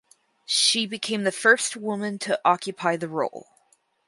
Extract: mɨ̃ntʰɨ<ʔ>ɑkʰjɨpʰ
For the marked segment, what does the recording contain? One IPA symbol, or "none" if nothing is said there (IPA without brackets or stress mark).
ʔ